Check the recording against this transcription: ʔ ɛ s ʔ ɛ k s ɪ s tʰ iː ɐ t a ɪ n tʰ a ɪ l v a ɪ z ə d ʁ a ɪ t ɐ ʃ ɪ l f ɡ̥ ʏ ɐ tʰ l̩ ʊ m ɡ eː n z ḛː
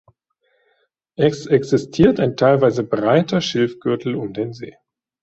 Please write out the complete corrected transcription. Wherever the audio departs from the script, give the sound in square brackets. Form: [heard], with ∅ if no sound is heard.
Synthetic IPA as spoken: ʔ ɛ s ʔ ɛ k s ɪ s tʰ iː ɐ t a ɪ n tʰ a ɪ l v a ɪ z ə [b] ʁ a ɪ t ɐ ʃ ɪ l f ɡ̥ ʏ ɐ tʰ l̩ ʊ m [d] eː n z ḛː